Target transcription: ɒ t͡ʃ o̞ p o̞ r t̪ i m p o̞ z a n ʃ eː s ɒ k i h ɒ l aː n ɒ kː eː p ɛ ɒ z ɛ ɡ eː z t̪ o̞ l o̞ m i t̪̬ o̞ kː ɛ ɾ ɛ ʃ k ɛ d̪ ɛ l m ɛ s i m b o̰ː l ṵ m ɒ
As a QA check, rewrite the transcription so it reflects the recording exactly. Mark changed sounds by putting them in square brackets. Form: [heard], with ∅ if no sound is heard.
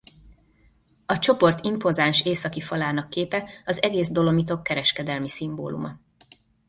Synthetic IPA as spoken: ɒ t͡ʃ o̞ p o̞ r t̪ i m p o̞ z a n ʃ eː s ɒ k i [f] ɒ l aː n ɒ kː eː p ɛ ɒ z ɛ ɡ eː z [d̪] o̞ l o̞ m i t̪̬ o̞ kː ɛ ɾ ɛ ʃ k ɛ d̪ ɛ l m [i] s i m b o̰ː l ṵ m ɒ